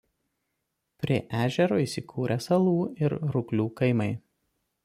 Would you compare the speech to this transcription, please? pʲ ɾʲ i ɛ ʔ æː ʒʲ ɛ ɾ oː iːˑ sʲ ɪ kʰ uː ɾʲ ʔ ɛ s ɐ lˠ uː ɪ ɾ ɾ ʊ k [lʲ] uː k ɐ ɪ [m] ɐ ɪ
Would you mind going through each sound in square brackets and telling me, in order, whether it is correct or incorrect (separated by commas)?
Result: correct, correct